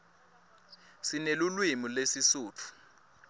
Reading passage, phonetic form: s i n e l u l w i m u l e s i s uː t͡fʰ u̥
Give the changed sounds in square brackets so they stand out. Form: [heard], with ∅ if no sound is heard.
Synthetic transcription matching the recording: s i n e l u l w i m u l e s i s uː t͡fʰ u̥